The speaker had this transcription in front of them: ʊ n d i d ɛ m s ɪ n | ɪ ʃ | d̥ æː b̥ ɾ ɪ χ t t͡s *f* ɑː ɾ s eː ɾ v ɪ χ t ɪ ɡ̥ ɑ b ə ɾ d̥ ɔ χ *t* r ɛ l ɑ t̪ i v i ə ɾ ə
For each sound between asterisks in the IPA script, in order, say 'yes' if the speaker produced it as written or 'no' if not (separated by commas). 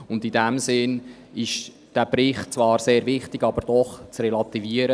no, no